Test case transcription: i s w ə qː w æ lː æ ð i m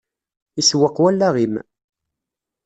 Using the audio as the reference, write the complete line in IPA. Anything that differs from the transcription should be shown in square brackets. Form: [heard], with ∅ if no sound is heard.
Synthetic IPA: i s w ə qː w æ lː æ [ʁ] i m